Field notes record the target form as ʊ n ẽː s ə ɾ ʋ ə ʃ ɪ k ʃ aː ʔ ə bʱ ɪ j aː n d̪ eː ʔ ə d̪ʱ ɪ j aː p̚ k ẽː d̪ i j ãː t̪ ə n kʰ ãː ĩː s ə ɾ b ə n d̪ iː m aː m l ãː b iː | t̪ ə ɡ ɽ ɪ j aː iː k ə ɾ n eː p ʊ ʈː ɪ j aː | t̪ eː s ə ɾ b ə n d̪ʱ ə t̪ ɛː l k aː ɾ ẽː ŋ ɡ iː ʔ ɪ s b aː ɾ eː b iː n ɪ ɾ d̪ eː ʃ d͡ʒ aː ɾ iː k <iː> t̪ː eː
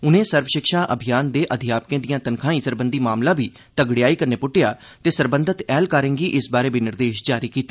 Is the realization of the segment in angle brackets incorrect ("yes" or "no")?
no